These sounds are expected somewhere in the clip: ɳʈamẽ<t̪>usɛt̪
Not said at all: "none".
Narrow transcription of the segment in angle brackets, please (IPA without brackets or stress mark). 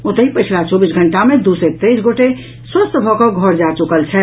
d̪